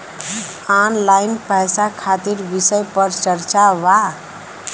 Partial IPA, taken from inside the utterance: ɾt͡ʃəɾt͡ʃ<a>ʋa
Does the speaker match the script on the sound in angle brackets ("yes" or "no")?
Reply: yes